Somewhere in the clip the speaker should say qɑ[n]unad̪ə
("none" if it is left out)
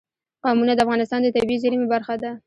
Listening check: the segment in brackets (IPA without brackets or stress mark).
m